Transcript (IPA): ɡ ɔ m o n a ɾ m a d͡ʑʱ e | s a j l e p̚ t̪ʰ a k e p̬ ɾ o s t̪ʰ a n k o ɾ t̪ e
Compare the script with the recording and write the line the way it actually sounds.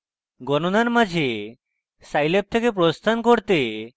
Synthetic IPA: ɡ ɔ n o n a ɾ m a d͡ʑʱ e | s a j l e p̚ t̪ʰ e k e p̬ ɾ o s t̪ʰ a n k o ɾ t̪ e